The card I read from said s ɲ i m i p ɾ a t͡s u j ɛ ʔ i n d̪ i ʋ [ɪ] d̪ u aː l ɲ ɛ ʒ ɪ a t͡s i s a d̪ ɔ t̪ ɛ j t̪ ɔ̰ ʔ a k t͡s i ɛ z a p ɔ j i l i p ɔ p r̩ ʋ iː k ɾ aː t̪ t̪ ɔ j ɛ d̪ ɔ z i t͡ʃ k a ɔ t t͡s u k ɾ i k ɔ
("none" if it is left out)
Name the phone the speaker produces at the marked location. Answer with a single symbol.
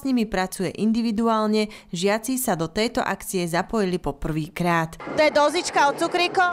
i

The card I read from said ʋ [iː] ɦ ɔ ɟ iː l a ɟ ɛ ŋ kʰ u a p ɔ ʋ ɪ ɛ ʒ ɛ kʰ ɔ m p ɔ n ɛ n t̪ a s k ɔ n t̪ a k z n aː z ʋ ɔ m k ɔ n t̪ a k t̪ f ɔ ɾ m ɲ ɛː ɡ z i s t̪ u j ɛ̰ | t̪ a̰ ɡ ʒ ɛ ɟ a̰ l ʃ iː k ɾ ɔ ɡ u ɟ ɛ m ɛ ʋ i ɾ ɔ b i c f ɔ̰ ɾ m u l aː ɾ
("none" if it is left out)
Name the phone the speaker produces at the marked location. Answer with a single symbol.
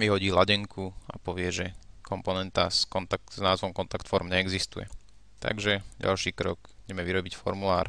i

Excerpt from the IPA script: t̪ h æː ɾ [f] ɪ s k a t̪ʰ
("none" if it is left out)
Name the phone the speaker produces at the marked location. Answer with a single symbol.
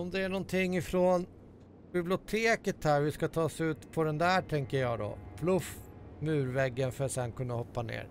v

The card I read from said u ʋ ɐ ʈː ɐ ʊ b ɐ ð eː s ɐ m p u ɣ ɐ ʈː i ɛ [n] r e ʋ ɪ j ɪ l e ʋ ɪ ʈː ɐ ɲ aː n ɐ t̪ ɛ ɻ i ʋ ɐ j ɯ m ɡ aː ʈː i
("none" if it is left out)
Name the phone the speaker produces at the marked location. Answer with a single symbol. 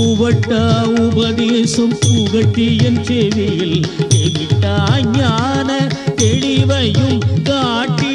n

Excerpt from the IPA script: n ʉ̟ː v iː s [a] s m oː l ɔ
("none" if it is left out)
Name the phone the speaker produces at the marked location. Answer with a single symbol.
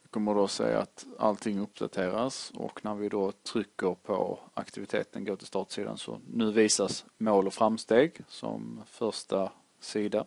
a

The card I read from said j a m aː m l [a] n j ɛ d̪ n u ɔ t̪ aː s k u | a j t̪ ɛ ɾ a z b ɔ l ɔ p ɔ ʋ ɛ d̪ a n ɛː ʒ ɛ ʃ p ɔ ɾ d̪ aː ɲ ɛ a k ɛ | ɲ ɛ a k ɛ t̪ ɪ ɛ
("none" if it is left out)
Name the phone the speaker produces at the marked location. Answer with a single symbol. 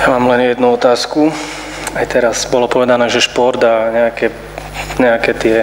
ɛ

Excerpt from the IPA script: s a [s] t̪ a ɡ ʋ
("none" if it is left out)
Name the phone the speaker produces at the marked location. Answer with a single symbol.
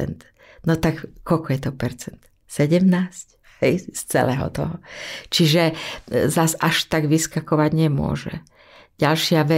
ʃ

